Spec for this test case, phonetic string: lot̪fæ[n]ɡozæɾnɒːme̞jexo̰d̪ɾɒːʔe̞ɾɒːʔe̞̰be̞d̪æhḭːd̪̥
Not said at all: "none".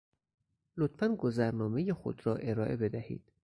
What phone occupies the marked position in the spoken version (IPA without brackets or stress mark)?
n